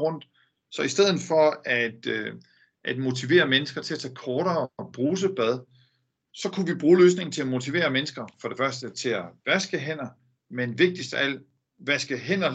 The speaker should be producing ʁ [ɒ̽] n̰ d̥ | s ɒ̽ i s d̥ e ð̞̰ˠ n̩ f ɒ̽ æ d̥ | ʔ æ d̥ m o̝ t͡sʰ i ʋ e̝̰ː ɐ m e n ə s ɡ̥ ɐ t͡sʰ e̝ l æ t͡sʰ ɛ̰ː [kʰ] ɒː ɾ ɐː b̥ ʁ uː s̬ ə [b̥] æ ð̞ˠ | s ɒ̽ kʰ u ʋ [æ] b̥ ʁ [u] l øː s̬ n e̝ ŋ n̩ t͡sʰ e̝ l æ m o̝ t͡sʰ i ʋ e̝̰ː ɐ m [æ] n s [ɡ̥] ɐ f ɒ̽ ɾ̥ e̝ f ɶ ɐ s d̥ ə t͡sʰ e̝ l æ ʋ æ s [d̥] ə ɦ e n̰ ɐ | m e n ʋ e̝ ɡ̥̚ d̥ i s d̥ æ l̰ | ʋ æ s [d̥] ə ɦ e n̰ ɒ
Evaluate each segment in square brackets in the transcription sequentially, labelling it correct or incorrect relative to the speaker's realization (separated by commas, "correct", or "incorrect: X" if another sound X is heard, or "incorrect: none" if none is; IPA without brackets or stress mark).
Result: incorrect: ɔ̽, correct, correct, incorrect: i, incorrect: uː, incorrect: e, correct, incorrect: ɡ̥, incorrect: ɡ̥